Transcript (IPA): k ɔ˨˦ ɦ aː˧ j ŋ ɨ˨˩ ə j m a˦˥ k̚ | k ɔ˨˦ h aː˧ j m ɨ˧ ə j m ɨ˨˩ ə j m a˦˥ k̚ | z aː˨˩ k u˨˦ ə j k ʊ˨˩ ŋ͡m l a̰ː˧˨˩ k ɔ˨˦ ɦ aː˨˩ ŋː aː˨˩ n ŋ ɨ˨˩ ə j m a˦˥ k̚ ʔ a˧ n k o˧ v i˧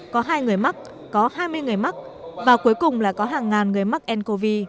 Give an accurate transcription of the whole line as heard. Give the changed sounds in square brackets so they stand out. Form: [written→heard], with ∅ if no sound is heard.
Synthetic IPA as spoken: k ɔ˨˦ ɦ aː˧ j ŋ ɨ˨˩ ə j m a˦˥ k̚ | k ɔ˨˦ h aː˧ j m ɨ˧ ə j [m→ŋ] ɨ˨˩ ə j m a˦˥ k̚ | [z→v] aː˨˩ k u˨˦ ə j k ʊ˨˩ ŋ͡m l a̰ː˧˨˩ k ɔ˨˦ ɦ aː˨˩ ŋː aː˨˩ n ŋ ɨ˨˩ ə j m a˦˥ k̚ ʔ [a˧→ɛ˧] n k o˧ v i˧